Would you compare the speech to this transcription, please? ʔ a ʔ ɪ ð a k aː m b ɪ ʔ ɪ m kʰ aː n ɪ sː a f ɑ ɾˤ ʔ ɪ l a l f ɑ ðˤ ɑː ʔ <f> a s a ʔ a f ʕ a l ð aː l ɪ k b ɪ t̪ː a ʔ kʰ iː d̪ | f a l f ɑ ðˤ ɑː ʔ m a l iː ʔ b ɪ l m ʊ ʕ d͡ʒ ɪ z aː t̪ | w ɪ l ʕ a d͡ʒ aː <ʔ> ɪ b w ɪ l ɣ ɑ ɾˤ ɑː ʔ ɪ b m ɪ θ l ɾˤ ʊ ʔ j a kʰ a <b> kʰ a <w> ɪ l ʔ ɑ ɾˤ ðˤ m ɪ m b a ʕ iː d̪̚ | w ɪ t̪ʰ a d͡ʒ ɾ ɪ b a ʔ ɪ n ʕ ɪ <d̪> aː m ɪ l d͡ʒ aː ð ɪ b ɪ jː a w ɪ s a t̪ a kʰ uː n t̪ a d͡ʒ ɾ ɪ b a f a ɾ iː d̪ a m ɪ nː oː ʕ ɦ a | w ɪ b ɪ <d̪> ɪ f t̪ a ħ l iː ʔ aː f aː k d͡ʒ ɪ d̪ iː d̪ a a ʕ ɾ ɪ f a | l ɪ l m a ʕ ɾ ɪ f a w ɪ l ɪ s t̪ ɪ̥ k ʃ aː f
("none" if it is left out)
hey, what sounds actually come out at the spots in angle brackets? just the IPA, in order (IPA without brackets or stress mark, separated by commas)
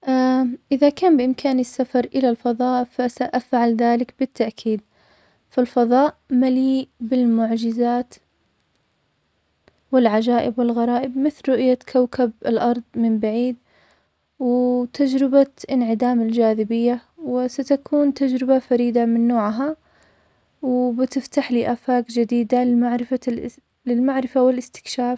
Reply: f, ʔ, w, b, d̪, t̪